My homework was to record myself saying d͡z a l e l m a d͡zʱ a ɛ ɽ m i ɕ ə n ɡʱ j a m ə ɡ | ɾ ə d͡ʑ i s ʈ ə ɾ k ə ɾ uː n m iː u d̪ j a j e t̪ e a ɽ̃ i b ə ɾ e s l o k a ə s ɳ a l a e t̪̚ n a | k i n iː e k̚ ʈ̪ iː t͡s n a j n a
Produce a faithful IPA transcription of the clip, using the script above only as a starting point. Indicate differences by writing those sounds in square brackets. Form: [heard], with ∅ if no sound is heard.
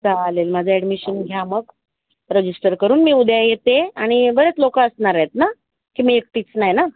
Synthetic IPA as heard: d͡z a l e l m a d͡zʱ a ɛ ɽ m i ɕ ə n ɡʱ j a m ə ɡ | ɾ ə d͡ʑ i s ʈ ə ɾ k ə ɾ uː n m iː u d̪ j a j e t̪ e a ɽ̃ i b ə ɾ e [t͡s] l o k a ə s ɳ a [ɾ] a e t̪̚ n a | k i [m] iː e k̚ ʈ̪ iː t͡s n a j n a